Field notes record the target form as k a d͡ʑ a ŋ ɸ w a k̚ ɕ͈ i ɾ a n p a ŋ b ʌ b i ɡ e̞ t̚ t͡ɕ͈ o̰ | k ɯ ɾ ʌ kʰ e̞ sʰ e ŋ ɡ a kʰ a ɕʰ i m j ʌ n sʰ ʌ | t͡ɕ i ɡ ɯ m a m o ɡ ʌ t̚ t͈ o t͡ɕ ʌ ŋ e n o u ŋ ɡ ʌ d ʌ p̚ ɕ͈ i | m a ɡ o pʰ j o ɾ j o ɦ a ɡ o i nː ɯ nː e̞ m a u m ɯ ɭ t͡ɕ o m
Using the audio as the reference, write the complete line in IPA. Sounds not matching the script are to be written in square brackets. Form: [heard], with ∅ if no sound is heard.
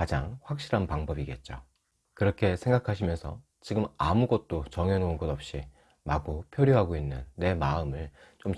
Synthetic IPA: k a d͡ʑ a ŋ ɸ w a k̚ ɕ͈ i ɾ a n p a ŋ b ʌ b i ɡ e̞ t̚ t͡ɕ͈ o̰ | k ɯ ɾ ʌ kʰ e̞ sʰ e ŋ ɡ a kʰ a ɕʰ i m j ʌ n sʰ ʌ | t͡ɕ i ɡ ɯ m a m [u] ɡ ʌ t̚ t͈ o t͡ɕ ʌ ŋ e n o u [n] ɡ ʌ d ʌ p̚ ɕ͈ i | m a ɡ o pʰ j o ɾ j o ɦ a ɡ o i nː ɯ nː e̞ m a [ɯ] m ɯ ɭ t͡ɕ o m